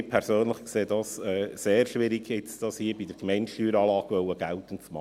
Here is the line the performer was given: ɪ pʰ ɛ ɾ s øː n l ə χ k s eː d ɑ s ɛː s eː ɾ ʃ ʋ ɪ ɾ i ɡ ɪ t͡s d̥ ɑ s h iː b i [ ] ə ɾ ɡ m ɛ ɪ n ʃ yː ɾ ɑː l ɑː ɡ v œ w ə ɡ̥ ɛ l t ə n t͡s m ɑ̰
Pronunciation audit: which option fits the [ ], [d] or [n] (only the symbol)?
d